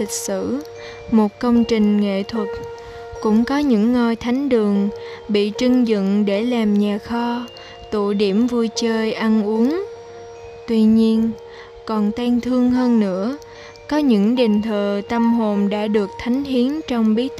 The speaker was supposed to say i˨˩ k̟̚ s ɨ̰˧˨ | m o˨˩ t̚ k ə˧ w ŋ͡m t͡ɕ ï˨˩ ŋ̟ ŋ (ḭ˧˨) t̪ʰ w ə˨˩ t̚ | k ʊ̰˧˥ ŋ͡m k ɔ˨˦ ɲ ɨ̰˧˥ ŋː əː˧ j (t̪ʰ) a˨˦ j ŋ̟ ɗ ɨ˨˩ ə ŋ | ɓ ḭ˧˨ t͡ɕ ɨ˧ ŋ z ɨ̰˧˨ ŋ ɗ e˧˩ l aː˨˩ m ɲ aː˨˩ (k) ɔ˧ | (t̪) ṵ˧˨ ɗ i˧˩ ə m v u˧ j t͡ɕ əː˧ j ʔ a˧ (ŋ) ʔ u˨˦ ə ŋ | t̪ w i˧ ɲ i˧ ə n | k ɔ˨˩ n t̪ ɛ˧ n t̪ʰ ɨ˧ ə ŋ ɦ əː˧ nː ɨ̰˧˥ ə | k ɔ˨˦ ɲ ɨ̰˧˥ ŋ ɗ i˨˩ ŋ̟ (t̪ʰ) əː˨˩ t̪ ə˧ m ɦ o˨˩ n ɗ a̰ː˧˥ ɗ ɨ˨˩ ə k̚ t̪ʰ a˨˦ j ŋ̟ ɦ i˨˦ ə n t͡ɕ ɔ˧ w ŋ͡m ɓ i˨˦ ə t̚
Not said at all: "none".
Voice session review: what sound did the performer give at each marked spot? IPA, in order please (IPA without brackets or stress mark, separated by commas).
ḛ˧˨, t̪ʰ, x, t̪, n, t̪ʰ